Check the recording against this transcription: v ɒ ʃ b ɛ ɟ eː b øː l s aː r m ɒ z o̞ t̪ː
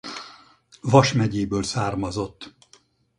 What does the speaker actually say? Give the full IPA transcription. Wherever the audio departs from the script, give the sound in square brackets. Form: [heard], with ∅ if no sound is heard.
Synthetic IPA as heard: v ɒ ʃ [m] ɛ ɟ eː b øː l s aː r m ɒ z o̞ t̪ː